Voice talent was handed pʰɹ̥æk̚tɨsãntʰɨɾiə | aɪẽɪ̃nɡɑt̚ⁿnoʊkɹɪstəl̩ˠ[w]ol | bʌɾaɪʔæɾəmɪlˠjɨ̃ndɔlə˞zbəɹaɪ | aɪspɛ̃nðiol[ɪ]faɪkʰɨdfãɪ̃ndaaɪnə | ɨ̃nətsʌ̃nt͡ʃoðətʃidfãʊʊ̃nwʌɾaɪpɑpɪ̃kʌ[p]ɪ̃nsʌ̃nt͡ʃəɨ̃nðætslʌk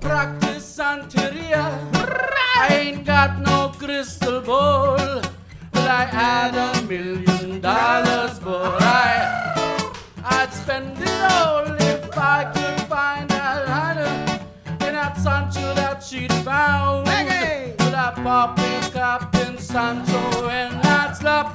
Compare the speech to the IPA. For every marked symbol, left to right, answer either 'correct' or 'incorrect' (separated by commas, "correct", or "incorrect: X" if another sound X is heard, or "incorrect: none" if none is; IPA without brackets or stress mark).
incorrect: b, correct, correct